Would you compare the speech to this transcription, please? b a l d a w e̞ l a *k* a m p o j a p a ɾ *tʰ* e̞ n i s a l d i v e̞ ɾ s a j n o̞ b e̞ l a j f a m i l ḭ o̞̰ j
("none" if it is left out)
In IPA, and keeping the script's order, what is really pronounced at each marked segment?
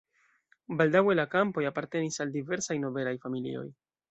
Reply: k, t

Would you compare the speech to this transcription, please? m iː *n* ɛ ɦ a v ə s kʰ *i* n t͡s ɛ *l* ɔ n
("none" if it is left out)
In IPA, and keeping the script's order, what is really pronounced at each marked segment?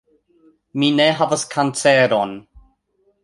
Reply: n, a, ɾ

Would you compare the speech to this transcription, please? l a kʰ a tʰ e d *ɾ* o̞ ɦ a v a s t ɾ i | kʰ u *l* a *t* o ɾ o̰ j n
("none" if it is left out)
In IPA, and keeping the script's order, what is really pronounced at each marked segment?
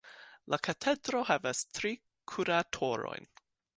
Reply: ɾ, ɾ, tʰ

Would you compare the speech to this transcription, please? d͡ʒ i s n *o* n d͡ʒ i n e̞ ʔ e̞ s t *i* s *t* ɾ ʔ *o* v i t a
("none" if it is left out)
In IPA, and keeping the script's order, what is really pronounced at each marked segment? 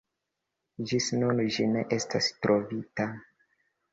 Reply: u, a, t, o

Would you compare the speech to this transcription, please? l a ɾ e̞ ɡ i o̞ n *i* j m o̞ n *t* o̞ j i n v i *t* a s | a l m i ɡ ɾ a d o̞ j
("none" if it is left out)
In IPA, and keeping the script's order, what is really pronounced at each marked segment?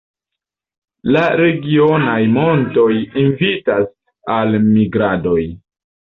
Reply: a, t, t

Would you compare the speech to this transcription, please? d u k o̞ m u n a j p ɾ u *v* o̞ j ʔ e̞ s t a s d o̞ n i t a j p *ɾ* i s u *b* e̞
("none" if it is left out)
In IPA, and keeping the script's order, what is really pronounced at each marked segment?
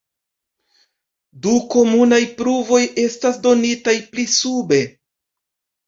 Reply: v, l, b

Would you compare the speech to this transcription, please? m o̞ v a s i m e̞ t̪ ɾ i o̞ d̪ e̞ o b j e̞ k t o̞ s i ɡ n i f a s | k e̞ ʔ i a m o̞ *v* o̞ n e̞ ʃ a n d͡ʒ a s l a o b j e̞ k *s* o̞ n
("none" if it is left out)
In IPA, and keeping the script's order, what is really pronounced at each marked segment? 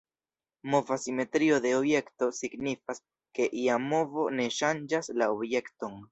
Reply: v, t

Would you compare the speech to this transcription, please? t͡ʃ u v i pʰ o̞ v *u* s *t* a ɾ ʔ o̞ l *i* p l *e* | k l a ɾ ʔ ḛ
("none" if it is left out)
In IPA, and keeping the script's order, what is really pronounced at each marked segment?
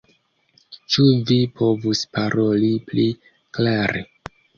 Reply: u, p, i, i

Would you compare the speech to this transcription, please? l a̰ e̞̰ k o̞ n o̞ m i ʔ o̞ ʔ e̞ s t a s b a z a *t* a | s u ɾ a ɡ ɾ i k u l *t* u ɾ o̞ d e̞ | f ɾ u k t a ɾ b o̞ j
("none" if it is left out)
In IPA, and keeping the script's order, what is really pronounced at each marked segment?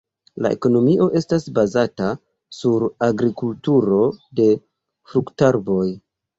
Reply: t, t

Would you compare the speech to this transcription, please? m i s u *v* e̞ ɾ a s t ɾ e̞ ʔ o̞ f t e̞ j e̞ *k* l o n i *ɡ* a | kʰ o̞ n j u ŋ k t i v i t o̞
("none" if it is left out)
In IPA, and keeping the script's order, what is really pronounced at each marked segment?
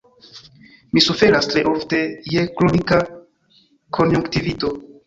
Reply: f, k, k

